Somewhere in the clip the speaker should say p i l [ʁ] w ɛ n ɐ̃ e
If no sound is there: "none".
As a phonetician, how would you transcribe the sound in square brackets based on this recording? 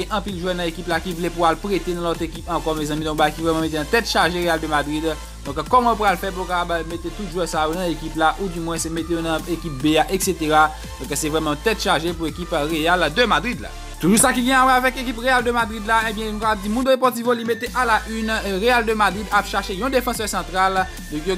ʒ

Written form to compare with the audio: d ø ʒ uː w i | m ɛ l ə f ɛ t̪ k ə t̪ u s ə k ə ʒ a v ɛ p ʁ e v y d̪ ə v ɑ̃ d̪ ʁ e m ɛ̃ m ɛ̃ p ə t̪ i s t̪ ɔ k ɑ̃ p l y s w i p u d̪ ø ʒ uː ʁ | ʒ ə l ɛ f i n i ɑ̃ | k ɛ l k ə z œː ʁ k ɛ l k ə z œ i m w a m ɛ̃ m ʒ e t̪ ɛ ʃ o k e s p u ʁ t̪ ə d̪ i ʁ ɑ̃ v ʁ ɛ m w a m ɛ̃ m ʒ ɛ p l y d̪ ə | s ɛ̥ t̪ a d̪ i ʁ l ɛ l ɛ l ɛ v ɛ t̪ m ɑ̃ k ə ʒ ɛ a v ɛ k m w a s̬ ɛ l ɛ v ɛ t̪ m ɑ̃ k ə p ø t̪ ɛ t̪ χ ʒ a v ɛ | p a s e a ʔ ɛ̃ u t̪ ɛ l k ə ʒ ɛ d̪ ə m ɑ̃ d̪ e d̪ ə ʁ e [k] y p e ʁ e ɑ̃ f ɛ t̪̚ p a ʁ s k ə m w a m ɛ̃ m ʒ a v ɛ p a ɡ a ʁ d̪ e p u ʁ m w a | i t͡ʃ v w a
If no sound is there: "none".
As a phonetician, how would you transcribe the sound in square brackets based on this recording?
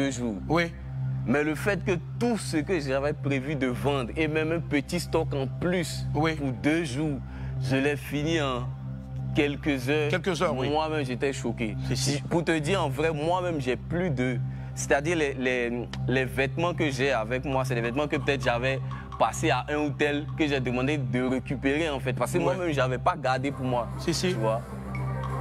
k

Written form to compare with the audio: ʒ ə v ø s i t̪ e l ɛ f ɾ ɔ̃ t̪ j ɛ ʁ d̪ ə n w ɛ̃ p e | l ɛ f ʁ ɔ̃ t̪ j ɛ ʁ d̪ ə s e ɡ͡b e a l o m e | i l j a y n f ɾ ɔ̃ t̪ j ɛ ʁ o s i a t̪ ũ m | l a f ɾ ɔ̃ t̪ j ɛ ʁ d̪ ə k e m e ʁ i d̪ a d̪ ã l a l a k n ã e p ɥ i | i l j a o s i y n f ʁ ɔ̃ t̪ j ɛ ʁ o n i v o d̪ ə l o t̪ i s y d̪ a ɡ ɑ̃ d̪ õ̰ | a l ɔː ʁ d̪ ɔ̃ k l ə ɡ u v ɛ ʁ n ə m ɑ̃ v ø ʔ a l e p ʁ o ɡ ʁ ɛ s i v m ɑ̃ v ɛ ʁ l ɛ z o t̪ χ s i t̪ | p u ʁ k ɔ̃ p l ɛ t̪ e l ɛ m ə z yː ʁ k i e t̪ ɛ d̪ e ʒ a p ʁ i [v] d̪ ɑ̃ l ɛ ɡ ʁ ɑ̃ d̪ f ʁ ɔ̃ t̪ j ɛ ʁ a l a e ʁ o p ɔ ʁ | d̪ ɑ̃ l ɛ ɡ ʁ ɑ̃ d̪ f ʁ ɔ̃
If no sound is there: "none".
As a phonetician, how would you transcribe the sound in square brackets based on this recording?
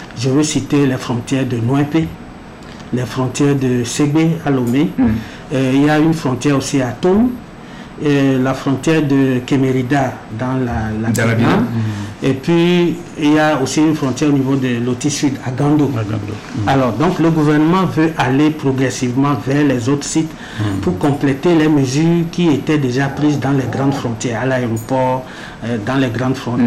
z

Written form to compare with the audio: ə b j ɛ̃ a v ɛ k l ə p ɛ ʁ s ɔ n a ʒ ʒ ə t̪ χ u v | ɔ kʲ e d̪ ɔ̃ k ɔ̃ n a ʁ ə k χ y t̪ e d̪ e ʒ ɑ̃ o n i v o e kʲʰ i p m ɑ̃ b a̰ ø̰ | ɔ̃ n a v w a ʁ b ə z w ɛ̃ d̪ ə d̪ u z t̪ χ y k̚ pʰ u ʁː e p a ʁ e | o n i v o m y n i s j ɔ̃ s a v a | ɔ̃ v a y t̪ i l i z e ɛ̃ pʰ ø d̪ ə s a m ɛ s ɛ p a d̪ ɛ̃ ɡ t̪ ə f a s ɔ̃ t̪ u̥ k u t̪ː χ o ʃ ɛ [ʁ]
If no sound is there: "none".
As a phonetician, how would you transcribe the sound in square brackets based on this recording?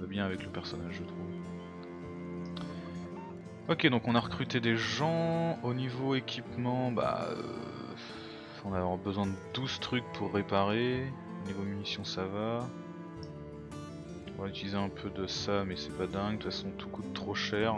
ʁ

